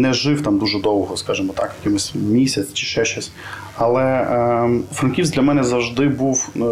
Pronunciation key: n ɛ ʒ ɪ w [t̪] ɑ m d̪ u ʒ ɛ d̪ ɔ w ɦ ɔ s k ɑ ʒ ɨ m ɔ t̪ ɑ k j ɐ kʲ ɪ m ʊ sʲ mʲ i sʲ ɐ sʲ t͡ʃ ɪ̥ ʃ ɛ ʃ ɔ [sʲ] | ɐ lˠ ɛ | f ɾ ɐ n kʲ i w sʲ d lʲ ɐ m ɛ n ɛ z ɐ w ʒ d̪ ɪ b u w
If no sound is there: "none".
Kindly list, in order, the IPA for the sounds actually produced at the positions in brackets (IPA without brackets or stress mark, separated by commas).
t̪, sʲ